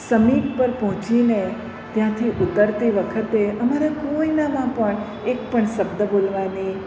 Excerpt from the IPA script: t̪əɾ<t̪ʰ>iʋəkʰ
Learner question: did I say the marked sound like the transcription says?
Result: no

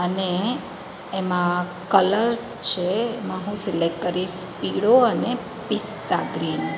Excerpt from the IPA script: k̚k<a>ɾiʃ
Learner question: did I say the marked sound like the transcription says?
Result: no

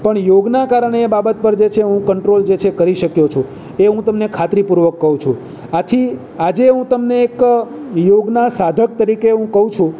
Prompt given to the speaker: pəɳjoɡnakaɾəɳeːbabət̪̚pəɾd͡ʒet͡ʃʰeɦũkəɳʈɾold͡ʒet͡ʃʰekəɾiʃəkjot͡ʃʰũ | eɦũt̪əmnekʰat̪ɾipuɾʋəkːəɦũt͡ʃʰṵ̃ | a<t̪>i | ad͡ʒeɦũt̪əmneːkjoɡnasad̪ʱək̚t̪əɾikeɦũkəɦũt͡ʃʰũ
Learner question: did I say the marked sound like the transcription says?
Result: no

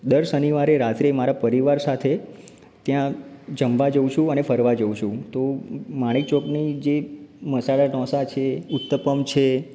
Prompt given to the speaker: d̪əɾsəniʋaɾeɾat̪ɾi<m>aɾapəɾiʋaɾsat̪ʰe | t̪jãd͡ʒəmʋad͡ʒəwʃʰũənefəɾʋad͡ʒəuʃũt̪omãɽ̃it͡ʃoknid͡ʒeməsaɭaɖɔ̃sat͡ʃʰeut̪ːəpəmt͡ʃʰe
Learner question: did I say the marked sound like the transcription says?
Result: yes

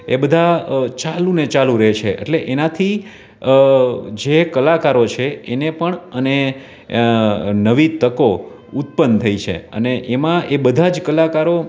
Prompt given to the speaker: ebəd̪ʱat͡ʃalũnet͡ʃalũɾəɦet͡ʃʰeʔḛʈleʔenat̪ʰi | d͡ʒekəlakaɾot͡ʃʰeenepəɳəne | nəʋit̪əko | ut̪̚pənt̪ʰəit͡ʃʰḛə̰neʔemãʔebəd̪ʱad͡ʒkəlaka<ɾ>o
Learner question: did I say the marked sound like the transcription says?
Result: yes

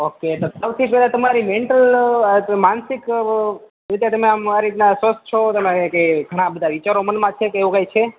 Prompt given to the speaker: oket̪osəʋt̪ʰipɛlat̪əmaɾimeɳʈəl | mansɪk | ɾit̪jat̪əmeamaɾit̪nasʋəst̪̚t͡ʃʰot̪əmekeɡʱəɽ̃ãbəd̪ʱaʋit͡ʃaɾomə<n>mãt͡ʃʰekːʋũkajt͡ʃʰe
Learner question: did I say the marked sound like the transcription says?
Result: yes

